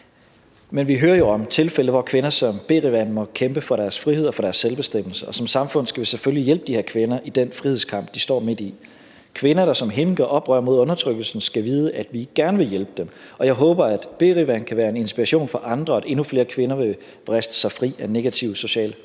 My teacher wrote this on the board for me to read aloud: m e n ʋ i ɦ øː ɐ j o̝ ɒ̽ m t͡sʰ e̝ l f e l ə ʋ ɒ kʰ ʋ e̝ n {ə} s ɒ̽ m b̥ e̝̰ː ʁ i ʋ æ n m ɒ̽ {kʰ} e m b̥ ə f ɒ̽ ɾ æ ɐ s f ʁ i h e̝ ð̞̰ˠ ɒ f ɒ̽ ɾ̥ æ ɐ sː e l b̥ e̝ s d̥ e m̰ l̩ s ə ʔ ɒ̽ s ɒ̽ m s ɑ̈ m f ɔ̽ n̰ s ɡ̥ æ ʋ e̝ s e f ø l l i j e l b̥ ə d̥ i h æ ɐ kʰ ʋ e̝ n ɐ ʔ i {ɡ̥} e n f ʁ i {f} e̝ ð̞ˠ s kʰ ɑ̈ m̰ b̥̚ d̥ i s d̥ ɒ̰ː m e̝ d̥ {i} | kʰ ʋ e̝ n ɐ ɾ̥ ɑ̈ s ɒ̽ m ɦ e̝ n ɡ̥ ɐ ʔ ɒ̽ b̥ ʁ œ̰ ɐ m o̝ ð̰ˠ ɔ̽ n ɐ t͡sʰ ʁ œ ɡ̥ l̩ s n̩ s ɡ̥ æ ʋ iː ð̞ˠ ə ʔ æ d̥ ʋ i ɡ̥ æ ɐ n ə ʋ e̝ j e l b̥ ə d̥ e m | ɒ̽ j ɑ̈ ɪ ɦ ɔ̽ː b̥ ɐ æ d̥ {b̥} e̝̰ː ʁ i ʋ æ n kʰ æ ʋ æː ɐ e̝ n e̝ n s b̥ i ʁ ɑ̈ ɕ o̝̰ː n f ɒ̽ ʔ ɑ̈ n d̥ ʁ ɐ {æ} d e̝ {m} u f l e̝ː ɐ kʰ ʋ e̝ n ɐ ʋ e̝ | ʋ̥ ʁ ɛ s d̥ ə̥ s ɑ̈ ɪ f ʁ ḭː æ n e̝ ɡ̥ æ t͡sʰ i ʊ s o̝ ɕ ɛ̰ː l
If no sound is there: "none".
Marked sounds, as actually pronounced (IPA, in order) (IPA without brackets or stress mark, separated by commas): ɐ, kʰ, d̥, h, i, b̥, æ, n